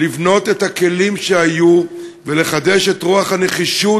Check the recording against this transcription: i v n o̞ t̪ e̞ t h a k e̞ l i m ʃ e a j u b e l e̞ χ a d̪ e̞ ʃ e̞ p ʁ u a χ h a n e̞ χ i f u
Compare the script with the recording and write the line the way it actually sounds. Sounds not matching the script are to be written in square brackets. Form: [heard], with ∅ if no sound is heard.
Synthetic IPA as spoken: i v n o̞ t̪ e̞ t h a k e̞ l i m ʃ e a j u [v] e l e̞ χ a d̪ e̞ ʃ e̞ [t] ʁ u a χ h a n e̞ χ i [ʃ] u